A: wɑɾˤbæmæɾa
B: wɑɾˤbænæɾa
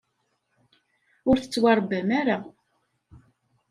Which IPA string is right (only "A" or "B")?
A